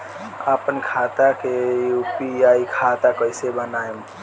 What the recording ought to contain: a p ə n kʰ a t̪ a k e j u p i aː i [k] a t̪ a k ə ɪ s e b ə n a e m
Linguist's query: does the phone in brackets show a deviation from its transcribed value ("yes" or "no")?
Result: yes